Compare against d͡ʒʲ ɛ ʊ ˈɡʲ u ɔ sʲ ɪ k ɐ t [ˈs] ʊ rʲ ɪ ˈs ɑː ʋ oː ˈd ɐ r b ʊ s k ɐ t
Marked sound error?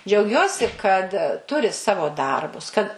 yes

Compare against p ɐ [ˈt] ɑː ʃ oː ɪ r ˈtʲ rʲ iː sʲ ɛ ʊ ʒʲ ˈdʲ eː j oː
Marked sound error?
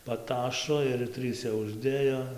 no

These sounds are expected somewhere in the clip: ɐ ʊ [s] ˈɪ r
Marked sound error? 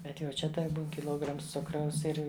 no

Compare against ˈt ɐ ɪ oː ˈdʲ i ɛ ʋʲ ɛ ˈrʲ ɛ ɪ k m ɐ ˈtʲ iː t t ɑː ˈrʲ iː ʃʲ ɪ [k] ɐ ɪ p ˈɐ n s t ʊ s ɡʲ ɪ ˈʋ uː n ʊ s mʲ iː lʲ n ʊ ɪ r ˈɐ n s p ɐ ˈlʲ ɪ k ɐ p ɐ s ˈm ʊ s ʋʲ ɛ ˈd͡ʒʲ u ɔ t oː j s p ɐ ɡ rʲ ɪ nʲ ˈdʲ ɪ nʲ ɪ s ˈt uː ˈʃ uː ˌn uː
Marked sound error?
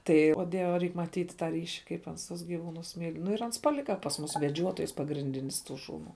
no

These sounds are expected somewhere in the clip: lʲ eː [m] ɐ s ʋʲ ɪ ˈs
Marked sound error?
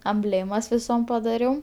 no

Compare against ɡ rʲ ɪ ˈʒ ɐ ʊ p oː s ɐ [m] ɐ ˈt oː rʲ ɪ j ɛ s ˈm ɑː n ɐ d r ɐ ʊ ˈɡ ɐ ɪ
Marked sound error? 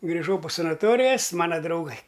yes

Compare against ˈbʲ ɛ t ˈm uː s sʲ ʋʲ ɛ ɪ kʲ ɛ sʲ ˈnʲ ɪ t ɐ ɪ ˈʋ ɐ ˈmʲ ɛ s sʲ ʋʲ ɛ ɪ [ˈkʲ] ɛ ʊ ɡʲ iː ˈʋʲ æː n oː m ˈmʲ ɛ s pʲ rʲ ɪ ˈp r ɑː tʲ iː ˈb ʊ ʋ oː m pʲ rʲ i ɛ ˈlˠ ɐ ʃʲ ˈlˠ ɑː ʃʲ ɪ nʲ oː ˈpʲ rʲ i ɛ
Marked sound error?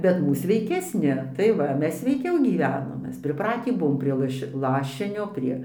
no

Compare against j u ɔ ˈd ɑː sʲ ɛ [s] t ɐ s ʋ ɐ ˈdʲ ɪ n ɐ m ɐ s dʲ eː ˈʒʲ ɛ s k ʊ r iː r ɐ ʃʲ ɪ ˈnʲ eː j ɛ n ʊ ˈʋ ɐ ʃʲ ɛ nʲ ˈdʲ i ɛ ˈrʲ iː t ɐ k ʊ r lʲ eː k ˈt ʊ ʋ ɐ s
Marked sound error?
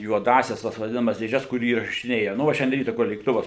no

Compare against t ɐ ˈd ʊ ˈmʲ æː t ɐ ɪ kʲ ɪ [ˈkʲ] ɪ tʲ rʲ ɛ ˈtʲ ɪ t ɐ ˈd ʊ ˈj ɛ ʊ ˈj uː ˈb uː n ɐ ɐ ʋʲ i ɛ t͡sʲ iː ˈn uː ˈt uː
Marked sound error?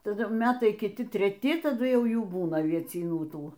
yes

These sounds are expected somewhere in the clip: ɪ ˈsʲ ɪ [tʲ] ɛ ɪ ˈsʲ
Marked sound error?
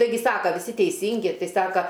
no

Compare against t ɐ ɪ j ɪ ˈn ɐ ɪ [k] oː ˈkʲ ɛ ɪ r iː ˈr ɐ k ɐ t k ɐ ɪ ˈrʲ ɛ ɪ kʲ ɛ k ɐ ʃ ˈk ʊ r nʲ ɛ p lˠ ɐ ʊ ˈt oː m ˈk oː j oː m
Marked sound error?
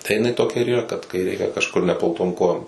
yes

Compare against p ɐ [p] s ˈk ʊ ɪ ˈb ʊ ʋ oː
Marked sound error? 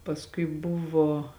yes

